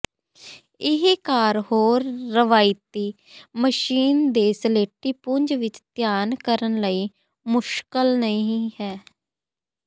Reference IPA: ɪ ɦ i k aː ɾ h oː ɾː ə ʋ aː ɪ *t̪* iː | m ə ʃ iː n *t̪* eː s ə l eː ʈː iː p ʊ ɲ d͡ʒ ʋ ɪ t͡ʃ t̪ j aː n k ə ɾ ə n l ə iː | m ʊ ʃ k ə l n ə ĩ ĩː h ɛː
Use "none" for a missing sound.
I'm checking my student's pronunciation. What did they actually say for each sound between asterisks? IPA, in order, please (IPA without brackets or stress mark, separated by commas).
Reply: t̪, d̪